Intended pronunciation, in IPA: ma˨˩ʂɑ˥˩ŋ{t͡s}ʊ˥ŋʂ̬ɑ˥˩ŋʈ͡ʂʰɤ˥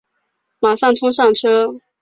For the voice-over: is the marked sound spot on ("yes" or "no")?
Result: no